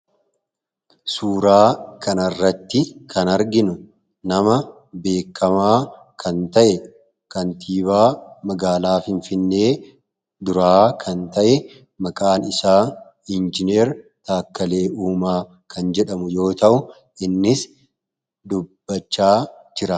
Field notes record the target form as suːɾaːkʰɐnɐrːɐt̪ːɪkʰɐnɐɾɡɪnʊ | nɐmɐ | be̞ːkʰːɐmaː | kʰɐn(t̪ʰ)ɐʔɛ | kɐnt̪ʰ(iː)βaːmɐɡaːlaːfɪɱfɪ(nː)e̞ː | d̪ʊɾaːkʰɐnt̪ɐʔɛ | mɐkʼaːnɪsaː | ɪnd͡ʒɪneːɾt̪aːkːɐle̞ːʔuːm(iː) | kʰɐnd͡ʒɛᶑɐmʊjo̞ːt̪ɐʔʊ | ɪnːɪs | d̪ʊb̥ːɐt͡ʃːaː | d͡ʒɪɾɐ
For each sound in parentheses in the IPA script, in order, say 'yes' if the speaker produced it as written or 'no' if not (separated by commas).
no, yes, yes, no